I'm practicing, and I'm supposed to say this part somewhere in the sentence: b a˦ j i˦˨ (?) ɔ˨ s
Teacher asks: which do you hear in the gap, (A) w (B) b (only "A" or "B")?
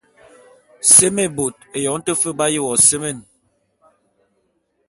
A